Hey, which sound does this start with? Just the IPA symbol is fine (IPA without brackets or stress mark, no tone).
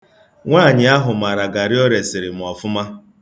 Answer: ŋʷ